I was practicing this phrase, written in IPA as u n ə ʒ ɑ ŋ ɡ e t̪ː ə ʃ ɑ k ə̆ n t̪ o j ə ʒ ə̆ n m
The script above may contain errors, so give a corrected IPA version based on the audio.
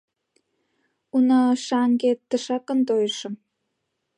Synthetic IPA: u n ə ʃ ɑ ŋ ɡ e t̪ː ə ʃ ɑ k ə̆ n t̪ o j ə ʃ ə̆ m